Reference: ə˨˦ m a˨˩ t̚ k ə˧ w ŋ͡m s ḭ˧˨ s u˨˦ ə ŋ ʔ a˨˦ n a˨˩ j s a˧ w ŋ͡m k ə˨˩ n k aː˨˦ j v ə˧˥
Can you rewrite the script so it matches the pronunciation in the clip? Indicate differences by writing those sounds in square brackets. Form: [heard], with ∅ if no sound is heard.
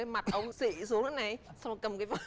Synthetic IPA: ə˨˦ m a˨˩ t̚ [ʔ] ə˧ w ŋ͡m s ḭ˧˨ s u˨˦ ə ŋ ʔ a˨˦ n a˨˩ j s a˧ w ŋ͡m k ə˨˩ [m] k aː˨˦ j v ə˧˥